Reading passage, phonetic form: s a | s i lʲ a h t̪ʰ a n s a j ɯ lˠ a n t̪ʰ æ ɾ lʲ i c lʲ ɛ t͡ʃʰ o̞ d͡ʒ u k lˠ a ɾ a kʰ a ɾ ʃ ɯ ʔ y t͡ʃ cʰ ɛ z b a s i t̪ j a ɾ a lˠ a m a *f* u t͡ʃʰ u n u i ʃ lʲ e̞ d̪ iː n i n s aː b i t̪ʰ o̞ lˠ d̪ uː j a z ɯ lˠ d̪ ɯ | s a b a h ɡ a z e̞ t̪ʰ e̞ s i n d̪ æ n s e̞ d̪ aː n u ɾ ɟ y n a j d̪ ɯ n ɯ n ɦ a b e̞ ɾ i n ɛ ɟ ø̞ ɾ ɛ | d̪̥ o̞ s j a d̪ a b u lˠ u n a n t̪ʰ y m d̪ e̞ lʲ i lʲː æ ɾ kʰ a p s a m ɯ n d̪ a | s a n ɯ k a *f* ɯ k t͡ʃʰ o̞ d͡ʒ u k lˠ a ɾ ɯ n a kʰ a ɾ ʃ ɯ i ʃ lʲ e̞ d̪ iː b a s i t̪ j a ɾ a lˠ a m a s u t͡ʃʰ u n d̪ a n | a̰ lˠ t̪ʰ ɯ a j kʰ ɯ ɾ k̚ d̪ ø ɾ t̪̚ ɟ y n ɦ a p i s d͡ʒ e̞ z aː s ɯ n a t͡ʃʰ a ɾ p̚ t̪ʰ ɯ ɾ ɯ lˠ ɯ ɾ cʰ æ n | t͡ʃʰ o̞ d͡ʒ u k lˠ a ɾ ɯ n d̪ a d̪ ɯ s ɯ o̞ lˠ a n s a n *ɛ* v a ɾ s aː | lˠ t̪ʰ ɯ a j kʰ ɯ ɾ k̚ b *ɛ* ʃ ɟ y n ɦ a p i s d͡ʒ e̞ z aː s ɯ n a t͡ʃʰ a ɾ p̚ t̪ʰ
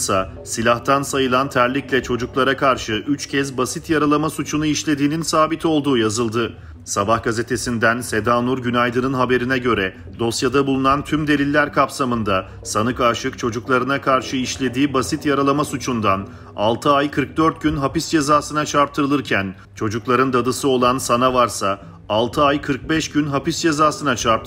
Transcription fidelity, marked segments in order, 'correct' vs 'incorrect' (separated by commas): incorrect, incorrect, incorrect, correct